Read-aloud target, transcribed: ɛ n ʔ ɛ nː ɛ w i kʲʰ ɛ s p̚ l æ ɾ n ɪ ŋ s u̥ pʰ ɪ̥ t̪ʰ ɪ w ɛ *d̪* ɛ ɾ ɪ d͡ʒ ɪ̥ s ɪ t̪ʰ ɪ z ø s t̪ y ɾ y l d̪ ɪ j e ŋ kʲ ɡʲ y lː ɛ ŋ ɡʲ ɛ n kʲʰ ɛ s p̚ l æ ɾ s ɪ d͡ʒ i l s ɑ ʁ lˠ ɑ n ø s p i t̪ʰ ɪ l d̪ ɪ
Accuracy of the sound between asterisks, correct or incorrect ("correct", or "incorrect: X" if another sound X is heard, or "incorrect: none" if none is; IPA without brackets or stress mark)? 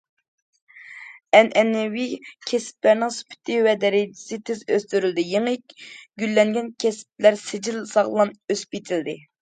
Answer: correct